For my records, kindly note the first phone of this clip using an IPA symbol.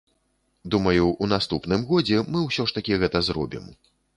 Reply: d̪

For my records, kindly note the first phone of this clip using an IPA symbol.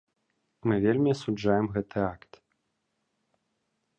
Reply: m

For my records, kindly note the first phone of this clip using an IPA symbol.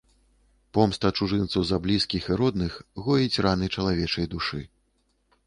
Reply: p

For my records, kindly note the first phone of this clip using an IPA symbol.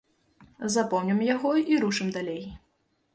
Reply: z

